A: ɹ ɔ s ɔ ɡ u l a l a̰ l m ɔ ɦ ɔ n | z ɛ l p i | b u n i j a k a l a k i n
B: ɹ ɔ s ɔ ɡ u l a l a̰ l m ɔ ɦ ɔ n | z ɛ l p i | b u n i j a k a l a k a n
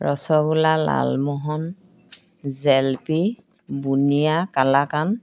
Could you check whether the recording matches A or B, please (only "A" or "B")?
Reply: B